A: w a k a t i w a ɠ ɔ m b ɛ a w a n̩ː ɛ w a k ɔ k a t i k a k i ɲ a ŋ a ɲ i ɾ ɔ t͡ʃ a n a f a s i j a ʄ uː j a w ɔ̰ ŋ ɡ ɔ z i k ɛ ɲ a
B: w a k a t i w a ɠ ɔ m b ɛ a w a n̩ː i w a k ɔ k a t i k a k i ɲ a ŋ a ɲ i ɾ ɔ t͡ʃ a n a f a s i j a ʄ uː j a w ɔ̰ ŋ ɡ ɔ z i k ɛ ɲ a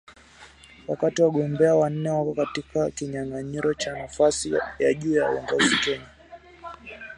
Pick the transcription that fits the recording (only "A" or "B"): A